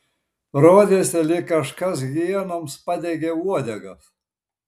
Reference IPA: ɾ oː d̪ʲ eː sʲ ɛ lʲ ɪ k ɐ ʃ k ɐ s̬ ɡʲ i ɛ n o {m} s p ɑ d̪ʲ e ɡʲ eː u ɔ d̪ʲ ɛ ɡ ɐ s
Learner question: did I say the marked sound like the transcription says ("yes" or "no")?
yes